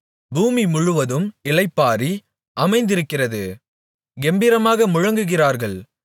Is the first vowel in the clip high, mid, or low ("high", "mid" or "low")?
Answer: high